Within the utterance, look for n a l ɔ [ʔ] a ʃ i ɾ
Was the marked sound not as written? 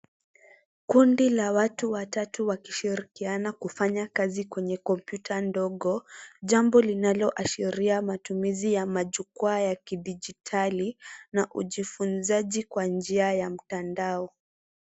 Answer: no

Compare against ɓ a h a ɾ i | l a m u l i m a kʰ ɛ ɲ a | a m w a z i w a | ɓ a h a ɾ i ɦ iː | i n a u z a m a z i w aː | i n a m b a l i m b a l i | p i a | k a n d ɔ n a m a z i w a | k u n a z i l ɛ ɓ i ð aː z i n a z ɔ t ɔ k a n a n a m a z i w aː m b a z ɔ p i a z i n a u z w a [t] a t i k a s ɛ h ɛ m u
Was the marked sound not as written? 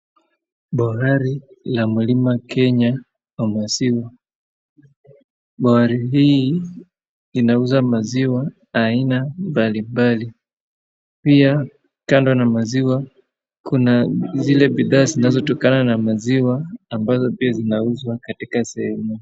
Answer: yes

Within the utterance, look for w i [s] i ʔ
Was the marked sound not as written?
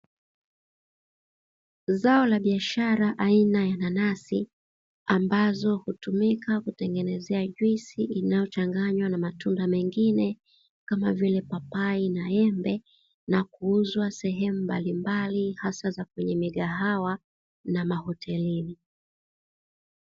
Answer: no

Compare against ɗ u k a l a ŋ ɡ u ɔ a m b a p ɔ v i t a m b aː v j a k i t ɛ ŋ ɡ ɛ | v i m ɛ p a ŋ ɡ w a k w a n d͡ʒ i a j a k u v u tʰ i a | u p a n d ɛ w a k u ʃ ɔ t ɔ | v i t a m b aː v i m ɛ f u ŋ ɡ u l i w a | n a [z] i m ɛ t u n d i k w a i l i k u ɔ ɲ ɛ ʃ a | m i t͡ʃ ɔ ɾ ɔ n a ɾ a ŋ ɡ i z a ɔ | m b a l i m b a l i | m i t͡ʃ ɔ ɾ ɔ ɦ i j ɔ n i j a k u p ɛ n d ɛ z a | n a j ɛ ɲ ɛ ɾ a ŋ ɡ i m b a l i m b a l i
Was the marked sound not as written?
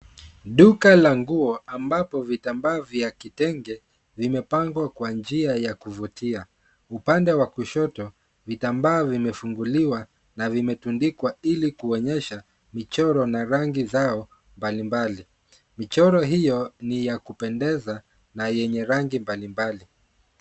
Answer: yes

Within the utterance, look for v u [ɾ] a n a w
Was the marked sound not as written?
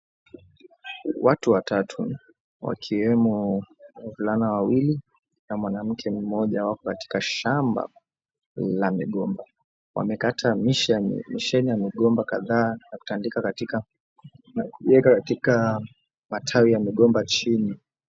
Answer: yes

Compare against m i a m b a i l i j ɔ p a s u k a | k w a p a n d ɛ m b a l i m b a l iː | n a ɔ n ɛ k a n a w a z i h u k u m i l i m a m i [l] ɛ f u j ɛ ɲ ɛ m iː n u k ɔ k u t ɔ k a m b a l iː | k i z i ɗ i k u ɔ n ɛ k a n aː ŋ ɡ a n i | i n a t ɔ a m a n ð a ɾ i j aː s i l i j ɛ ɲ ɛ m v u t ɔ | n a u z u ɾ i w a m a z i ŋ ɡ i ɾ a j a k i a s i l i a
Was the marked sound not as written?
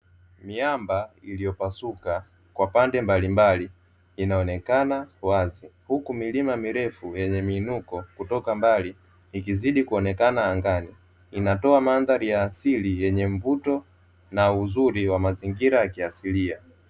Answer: yes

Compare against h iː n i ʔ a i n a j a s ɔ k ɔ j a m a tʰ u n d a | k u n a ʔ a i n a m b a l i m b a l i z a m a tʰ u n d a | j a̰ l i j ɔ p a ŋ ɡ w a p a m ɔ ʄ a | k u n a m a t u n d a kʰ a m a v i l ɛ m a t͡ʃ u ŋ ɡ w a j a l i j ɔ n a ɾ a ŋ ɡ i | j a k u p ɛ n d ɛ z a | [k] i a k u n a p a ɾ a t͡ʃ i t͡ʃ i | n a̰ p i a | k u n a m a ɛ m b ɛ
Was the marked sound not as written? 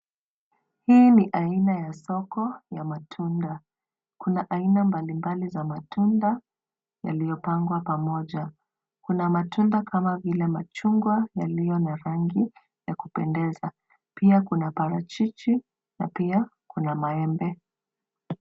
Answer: yes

